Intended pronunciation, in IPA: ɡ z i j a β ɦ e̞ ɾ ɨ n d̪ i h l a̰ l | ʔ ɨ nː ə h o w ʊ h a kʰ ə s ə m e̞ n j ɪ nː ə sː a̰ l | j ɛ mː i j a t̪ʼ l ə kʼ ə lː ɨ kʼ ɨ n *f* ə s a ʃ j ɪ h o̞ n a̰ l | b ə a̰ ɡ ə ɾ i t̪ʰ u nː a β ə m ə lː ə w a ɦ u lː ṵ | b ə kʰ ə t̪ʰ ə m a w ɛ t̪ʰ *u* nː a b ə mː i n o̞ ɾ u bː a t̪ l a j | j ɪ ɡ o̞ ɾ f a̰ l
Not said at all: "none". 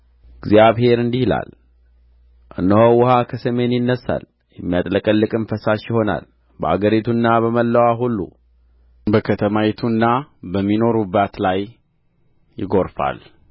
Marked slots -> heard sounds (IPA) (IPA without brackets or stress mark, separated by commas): f, u